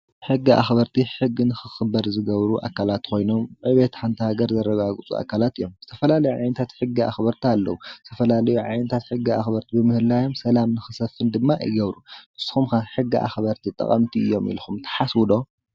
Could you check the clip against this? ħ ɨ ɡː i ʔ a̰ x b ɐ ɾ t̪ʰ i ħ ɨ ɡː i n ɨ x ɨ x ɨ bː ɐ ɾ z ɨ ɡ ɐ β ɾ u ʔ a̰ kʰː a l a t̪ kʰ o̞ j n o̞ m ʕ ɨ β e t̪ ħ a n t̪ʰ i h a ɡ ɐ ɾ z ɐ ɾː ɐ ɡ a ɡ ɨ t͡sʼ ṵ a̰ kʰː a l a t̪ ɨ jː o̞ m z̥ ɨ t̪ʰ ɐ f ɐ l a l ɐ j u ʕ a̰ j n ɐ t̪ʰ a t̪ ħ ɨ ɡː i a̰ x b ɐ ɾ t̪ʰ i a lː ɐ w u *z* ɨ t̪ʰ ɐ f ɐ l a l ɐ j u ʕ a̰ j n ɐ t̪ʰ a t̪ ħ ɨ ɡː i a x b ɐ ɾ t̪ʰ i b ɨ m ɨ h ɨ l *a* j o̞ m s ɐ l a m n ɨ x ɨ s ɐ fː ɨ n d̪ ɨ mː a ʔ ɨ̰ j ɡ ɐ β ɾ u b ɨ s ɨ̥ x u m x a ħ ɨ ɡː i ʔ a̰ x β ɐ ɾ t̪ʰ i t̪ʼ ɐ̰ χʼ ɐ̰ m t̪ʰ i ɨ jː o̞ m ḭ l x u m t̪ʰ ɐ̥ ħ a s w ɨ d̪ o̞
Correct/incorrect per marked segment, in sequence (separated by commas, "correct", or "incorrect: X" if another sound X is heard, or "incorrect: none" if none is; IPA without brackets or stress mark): correct, correct